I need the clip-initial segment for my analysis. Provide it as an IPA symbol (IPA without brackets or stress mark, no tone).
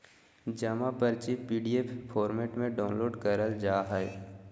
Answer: d͡ʒ